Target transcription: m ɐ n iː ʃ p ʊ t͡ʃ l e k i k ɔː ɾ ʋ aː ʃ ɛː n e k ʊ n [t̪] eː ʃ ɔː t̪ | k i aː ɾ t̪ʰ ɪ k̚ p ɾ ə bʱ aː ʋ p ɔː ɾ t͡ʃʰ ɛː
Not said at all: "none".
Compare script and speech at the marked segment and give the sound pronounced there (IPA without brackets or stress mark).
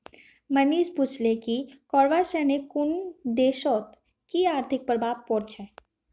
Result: d̪